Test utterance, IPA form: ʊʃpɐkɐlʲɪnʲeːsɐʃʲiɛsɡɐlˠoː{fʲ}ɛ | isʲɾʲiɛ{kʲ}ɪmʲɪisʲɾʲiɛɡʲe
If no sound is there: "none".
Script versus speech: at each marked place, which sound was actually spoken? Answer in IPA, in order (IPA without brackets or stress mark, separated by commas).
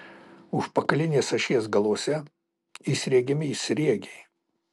sʲ, ɡʲ